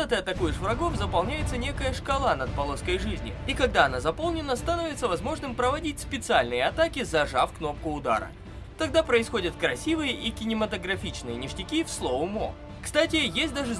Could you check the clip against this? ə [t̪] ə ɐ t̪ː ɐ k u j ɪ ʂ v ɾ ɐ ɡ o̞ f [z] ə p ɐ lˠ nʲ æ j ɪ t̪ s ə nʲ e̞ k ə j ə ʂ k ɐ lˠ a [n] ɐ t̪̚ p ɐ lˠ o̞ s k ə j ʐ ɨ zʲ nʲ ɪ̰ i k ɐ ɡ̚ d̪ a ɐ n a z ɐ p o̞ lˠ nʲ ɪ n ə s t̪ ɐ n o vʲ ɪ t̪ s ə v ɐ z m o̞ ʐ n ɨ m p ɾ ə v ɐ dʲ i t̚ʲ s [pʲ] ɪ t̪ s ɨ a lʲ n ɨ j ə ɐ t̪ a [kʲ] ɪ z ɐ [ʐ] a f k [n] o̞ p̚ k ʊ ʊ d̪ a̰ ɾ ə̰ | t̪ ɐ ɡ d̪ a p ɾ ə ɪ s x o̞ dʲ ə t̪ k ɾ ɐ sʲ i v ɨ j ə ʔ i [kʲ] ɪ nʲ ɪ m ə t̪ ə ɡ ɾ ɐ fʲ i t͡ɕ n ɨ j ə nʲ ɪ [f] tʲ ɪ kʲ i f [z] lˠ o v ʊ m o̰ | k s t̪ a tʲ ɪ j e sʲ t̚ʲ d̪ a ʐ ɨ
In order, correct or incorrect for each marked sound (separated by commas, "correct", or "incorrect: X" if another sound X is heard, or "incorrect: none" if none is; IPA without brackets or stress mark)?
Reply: correct, correct, correct, correct, correct, correct, correct, correct, incorrect: ʂ, incorrect: s